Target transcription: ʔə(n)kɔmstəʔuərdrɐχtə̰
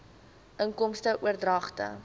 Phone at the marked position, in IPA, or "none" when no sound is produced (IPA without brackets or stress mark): ŋ